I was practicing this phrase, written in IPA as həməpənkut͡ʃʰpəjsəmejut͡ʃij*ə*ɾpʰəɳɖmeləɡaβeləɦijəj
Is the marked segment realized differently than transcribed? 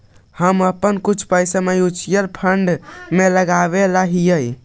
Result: no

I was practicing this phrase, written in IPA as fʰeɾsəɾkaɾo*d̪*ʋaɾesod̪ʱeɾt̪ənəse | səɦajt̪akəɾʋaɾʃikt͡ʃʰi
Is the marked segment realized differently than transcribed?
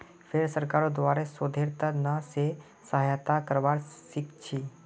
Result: no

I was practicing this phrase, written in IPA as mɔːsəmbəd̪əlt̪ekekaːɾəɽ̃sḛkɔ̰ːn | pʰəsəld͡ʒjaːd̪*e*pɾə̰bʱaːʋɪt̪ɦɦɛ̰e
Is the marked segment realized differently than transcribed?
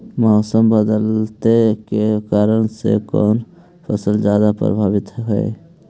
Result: yes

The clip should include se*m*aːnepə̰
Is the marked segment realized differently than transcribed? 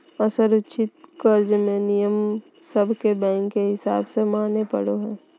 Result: no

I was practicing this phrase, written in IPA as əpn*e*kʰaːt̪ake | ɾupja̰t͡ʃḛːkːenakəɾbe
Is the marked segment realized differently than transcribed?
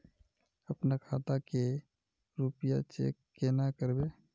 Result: yes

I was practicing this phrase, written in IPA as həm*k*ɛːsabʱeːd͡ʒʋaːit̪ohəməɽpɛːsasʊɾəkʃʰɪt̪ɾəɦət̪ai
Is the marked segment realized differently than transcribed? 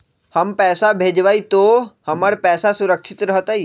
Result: yes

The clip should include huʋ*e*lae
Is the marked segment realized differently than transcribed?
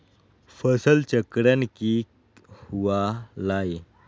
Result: yes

